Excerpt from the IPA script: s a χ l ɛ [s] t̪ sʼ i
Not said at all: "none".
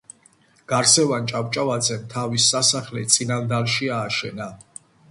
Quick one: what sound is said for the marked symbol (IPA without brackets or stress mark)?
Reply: none